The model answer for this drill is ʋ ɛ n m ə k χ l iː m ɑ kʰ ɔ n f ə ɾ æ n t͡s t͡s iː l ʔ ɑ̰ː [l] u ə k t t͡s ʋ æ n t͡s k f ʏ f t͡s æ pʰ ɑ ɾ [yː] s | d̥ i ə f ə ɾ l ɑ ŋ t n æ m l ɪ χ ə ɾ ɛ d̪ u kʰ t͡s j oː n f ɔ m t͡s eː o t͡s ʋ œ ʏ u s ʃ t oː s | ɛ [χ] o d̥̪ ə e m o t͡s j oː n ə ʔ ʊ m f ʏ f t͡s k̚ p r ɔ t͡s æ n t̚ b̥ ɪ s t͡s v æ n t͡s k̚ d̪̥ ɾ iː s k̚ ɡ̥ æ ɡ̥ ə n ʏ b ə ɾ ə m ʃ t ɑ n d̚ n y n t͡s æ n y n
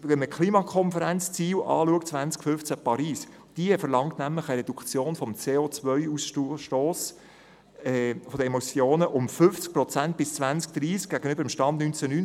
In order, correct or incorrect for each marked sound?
correct, incorrect, incorrect

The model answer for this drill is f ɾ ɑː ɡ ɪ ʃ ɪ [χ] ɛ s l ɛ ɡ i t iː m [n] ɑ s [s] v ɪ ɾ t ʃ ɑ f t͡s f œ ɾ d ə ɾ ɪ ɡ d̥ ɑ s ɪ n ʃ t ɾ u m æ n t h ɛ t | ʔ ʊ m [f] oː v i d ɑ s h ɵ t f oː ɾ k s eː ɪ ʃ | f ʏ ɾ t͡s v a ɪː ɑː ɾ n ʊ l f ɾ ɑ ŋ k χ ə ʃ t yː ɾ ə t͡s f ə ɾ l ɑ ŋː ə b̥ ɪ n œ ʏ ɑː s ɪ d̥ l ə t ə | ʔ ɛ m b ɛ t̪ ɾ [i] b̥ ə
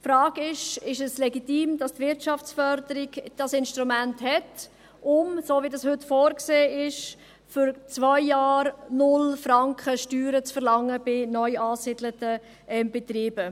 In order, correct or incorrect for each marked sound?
incorrect, incorrect, incorrect, incorrect, incorrect

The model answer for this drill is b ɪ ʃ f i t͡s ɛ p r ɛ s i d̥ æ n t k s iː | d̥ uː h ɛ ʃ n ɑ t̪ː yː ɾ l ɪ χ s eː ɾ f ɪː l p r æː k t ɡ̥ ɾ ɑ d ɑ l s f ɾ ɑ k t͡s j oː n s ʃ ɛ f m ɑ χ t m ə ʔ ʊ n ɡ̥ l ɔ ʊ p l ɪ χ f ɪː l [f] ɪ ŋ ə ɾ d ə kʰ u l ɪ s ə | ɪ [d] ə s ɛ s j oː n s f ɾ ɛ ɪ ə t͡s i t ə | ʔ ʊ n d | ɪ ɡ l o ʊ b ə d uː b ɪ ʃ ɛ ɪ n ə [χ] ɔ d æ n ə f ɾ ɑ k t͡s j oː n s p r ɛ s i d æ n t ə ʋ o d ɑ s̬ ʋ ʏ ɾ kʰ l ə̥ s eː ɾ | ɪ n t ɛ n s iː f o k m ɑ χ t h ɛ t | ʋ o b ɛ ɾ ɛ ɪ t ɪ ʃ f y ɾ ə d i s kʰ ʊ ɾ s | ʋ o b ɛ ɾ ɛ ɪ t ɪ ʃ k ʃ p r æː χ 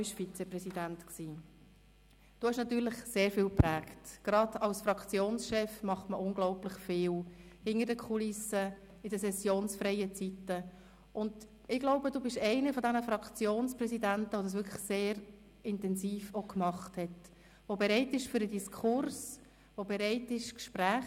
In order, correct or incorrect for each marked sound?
incorrect, correct, incorrect

